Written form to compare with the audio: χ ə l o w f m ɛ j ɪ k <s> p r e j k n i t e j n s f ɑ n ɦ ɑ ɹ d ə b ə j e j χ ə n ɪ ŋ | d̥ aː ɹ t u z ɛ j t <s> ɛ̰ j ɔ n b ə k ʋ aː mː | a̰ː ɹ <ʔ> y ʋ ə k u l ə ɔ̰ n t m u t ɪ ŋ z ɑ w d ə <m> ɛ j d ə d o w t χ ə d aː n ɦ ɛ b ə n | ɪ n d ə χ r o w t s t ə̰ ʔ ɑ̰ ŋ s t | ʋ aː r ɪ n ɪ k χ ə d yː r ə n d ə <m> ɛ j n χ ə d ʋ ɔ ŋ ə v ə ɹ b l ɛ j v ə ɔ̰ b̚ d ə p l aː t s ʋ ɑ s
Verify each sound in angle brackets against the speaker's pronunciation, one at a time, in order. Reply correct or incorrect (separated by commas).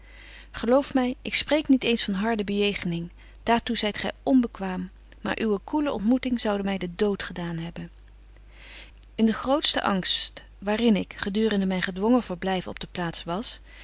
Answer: correct, incorrect, correct, correct, correct